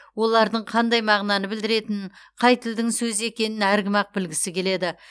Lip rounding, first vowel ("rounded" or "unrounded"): rounded